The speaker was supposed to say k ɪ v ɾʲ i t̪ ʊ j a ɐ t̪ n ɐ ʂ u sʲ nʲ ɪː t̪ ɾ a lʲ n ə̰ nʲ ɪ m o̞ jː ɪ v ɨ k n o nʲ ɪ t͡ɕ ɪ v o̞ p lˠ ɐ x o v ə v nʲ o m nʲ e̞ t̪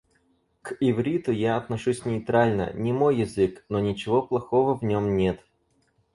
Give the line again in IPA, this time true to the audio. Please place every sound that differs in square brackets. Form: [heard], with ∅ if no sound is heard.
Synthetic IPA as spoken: k ɪ v ɾʲ i t̪ ʊ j a ɐ t̪ n ɐ ʂ u sʲ nʲ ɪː t̪ ɾ a lʲ n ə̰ nʲ ɪ m o̞ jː ɪ [z] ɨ k n o nʲ ɪ t͡ɕ ɪ v o̞ p lˠ ɐ x o v ə v nʲ o m nʲ e̞ t̪